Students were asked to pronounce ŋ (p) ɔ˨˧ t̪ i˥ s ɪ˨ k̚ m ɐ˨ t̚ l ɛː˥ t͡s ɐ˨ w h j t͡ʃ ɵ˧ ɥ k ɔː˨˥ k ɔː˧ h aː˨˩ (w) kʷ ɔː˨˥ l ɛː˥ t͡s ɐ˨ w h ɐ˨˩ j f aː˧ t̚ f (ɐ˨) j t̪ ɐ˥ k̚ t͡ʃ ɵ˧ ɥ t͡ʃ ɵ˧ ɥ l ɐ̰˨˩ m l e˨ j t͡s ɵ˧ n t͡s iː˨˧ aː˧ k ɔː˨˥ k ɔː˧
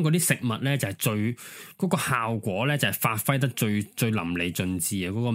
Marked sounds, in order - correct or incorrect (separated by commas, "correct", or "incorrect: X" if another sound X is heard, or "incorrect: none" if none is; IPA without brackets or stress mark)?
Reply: incorrect: k, correct, incorrect: ɐ˥